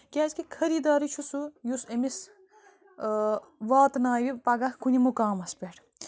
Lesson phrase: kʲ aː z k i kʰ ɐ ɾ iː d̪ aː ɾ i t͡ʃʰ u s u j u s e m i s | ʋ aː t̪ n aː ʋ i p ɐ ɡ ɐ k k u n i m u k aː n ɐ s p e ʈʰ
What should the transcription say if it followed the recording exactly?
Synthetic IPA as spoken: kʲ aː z k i kʰ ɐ ɾ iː d̪ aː ɾ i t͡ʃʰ u s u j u s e m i s | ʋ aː t̪ n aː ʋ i p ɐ ɡ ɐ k k u n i m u k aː m ɐ s p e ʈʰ